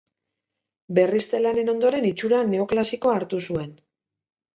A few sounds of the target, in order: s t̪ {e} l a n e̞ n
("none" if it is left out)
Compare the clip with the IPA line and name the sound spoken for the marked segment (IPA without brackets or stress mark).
e